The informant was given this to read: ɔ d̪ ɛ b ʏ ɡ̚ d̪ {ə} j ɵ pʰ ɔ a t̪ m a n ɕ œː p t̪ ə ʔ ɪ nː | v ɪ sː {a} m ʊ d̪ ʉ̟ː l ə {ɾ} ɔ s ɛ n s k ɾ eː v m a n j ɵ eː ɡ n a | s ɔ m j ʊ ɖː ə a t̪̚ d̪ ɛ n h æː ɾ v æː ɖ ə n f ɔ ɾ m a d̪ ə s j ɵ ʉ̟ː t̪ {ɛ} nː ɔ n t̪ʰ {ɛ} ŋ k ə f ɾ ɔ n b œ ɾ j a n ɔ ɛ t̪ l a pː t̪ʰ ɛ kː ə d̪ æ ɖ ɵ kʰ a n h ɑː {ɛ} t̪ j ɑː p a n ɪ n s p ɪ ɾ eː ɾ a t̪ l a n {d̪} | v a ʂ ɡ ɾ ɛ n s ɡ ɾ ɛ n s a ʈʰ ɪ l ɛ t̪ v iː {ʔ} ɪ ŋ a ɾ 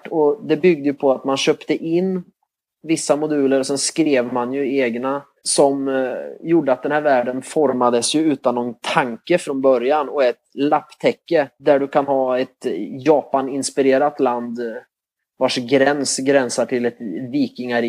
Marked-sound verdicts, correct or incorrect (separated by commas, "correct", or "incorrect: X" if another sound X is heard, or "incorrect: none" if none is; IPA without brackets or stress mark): correct, correct, correct, incorrect: a, incorrect: a, correct, correct, incorrect: k